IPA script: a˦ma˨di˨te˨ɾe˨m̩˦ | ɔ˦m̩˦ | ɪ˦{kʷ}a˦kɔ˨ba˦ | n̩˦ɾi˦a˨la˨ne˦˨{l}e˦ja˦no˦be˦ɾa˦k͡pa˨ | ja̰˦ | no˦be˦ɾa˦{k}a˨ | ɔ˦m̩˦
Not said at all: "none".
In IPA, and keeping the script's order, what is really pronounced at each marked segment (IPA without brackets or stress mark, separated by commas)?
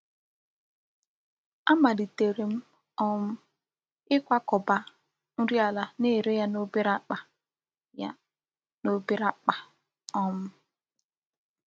kʷ, ɾ, k͡p